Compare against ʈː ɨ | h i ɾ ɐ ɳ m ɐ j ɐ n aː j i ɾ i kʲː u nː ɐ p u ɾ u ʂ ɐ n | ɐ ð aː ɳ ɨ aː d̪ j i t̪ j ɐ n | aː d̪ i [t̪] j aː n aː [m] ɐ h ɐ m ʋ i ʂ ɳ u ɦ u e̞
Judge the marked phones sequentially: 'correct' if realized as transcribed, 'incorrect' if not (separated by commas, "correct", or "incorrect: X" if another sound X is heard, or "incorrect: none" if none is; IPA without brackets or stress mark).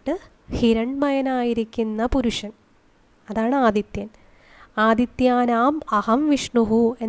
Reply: correct, correct